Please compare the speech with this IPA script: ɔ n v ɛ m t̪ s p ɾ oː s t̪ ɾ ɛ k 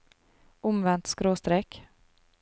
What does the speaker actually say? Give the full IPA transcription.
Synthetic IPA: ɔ m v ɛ n t̪ s k ɾ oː s t̪ ɾ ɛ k